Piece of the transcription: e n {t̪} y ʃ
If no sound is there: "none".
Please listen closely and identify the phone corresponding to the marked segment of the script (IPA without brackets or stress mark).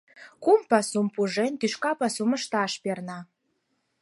t̪